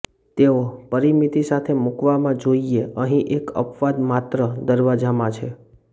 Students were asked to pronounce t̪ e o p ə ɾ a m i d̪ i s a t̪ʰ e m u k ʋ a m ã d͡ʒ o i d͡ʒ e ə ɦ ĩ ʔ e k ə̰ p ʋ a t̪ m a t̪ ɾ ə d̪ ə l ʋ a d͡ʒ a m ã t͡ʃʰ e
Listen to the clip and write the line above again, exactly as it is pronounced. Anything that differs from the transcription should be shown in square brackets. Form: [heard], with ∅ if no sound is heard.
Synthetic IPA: t̪ e o p ə ɾ [i] m i [t̪] i s a t̪ʰ e m u k ʋ a m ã d͡ʒ o i [∅] e ə ɦ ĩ ʔ e k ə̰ p ʋ a [d̪] m a t̪ ɾ ə d̪ ə [ɾ] ʋ a d͡ʒ a m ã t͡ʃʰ e